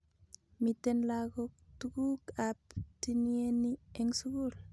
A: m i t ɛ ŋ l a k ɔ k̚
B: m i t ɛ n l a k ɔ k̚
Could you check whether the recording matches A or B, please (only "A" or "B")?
B